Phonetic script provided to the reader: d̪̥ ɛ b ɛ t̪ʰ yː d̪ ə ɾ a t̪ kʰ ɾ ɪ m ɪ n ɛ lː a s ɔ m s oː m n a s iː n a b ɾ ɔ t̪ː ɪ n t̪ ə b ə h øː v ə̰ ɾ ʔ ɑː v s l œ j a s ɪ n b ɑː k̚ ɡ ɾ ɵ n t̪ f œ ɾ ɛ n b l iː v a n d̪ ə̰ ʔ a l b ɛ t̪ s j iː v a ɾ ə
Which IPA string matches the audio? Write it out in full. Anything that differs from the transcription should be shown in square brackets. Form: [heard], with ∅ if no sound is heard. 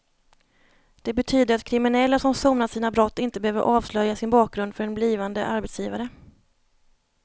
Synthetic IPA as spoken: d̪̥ ɛ b ɛ t̪ʰ yː d̪ ə ɾ a t̪ kʰ ɾ ɪ m ɪ n ɛ lː a s ɔ m s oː m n a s iː n a b ɾ ɔ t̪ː ɪ n t̪ ə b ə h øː v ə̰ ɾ ʔ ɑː v s l œ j a s ɪ n b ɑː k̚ ɡ ɾ ɵ n [d̪] f œ ɾ ɛ n b l iː v a n d̪ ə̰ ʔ a [ɾ] b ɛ t̪ s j iː v a ɾ ə

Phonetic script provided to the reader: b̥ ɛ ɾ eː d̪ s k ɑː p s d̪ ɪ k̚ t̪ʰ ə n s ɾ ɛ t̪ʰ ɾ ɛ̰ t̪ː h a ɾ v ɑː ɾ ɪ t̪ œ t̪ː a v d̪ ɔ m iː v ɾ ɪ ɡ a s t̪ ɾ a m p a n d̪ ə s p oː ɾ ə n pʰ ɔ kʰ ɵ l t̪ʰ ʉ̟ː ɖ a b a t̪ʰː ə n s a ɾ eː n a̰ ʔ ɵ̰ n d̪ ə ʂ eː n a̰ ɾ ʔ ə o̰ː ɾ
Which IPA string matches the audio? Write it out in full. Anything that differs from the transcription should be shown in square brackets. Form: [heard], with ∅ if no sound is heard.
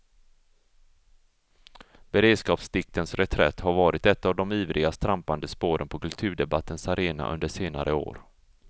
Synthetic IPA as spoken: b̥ ɛ ɾ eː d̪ s k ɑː p s d̪ ɪ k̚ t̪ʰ ə n s ɾ ɛ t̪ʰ ɾ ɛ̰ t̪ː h a ɾ v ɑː ɾ ɪ t̪ [ɛ] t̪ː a v d̪ ɔ m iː v ɾ ɪ ɡ a s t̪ ɾ a m p a n d̪ ə s p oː ɾ ə n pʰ ɔ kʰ ɵ l t̪ʰ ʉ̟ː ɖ [ɛ] b a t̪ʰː ə n s a ɾ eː n a̰ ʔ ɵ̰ n d̪ ə ʂ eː n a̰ ɾ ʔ ə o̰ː ɾ

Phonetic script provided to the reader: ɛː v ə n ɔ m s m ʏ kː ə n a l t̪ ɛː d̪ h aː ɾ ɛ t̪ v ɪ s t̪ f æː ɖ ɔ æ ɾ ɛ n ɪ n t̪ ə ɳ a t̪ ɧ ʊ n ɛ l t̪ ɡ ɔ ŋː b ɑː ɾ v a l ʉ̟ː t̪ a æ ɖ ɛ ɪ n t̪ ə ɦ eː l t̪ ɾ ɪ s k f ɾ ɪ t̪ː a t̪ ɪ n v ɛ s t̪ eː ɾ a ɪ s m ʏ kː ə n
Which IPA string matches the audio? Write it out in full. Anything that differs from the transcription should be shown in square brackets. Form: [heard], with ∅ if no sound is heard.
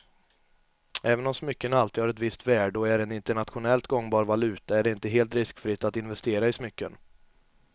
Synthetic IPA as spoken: ɛː v ə n ɔ m s m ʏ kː ə n a l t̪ [iː] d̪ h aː ɾ ɛ t̪ v ɪ s t̪ [v] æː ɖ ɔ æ ɾ ɛ n ɪ n t̪ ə ɳ a t̪ ɧ ʊ n ɛ l t̪ ɡ ɔ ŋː b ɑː ɾ v a l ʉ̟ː t̪ a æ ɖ ɛ ɪ n t̪ ə ɦ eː l t̪ ɾ ɪ s k f ɾ ɪ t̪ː a t̪ ɪ n v ɛ s t̪ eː ɾ a ɪ s m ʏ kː ə n

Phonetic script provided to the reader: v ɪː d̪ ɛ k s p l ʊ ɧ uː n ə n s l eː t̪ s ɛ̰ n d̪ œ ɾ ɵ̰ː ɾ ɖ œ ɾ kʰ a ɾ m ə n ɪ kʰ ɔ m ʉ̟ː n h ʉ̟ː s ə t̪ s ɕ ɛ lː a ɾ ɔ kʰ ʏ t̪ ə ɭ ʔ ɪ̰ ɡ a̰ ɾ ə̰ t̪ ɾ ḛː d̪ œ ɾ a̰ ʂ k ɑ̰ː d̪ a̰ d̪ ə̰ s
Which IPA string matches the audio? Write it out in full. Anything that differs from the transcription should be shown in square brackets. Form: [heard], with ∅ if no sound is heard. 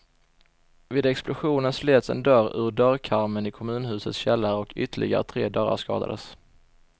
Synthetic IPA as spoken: v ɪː d̪ ɛ k s p l ʊ ɧ uː n ə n s l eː t̪ s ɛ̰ n d̪ œ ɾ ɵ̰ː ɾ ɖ œ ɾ kʰ a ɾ m ə n ɪ kʰ ɔ m ʉ̟ː n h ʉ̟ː s ə t̪ s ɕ ɛ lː a ɾ ɔ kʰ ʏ t̪ ə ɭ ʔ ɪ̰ ɡ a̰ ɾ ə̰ [t̪ʰ] ɾ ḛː d̪ œ ɾ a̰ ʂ k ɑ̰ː d̪ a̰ d̪ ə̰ s

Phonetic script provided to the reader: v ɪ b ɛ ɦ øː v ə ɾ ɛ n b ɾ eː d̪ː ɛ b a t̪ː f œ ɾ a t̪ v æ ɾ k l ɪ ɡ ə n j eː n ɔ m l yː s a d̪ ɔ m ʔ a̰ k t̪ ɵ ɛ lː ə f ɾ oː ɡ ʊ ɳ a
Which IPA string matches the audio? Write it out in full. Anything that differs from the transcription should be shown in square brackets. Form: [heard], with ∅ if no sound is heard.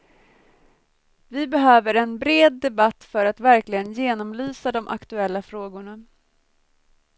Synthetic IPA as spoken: v ɪ b ɛ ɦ øː v ə ɾ ɛ n b ɾ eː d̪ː ɛ b a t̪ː f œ ɾ a t̪ v æ ɾ k l ɪ ɡ ə n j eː n ɔ m l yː s a d̪ ɔ m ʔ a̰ k t̪ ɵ ɛ lː [a] f ɾ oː ɡ ʊ ɳ a

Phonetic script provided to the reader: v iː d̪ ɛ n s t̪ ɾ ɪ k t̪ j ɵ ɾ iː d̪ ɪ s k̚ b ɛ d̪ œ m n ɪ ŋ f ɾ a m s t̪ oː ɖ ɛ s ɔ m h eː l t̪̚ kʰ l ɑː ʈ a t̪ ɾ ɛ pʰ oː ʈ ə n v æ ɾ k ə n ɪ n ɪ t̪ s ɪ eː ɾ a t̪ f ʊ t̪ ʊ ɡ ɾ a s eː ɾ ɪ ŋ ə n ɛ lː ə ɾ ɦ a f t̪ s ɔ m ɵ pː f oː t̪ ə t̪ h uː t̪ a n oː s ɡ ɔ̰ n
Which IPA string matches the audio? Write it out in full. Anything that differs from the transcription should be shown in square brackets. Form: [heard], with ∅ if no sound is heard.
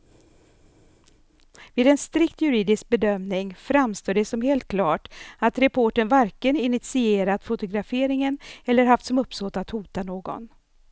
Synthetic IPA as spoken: v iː d̪ ɛ n s t̪ ɾ ɪ k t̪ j ɵ ɾ iː d̪ ɪ s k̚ b ɛ d̪ œ m n ɪ ŋ f ɾ a m s t̪ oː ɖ ɛ s ɔ m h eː l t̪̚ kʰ l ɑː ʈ a t̪ ɾ ɛ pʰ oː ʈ ə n v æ ɾ k ə n ɪ n ɪ t̪ s ɪ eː ɾ a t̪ f ʊ t̪ ʊ ɡ ɾ a [f] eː ɾ ɪ ŋ ə n ɛ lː ə ɾ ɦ a f t̪ s ɔ m ɵ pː [s] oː t̪ [a] t̪ h uː t̪ a n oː [∅] ɡ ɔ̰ n

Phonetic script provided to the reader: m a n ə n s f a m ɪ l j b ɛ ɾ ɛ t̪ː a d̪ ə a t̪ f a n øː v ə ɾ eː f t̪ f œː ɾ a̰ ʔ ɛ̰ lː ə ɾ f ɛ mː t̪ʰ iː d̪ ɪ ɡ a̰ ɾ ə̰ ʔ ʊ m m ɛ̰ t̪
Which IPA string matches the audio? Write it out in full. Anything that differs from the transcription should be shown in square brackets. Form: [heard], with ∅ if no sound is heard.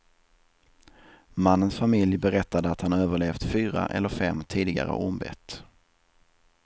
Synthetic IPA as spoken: m a [nː] ə n s f a m ɪ l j b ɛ ɾ ɛ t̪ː a d̪ ə a t̪ [h] a n øː v ə [ɭ] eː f t̪ f [yː] ɾ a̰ ʔ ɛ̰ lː ə ɾ f ɛ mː t̪ʰ iː d̪ ɪ ɡ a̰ ɾ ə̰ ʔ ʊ m [b] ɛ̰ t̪

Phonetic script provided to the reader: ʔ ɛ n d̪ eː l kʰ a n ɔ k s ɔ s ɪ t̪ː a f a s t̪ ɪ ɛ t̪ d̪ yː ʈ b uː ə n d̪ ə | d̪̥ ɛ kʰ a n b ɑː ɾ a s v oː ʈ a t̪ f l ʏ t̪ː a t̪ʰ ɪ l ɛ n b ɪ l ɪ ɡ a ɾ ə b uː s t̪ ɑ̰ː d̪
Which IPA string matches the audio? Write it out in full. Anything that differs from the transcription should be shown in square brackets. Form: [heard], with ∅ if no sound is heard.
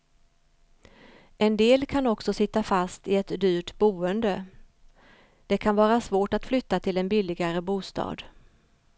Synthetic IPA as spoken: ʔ ɛ n d̪ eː l kʰ a n ɔ k s ɔ s ɪ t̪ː a f a s t̪ ɪ ɛ t̪ d̪ yː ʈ b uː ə n d̪ ə | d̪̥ ɛ kʰ a n [v] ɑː ɾ a s v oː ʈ a t̪ f l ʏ t̪ː a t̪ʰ ɪ l ɛ n b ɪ l ɪ ɡ a ɾ ə b uː s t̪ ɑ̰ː d̪

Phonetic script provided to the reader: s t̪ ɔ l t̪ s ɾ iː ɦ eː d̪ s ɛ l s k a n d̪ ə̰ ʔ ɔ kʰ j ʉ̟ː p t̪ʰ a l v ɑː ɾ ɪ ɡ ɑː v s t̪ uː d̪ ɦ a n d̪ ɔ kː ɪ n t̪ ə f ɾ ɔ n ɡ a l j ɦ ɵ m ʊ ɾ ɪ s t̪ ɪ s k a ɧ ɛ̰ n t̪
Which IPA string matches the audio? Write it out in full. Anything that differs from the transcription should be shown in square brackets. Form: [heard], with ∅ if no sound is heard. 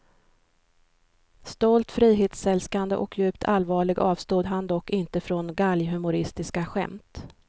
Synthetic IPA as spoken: s t̪ ɔ l t̪ [f] ɾ iː ɦ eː [t̪] s ɛ l s k a n d̪ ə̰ ʔ ɔ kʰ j ʉ̟ː p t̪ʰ a l v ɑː [ɭ] ɪ ɡ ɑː v s t̪ uː d̪ ɦ a n d̪ ɔ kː ɪ n t̪ ə f ɾ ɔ n ɡ a l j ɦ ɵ m ʊ ɾ ɪ s t̪ ɪ s k a ɧ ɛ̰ [m] t̪

